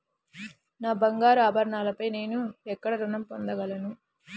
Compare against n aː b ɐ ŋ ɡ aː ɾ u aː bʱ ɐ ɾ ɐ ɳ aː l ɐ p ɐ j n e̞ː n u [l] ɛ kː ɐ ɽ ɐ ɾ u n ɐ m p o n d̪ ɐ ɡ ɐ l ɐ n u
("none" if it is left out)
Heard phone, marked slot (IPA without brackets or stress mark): none